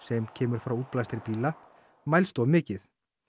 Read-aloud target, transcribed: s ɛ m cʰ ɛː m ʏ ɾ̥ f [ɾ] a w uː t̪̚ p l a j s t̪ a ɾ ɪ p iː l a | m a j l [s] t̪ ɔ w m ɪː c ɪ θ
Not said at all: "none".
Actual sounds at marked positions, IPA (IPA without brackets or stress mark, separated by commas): ɾ, s